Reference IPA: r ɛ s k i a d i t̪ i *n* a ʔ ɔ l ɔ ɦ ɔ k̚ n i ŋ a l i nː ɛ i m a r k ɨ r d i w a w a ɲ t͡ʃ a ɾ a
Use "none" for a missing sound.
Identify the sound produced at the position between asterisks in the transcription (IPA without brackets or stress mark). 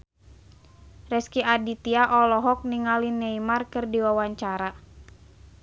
none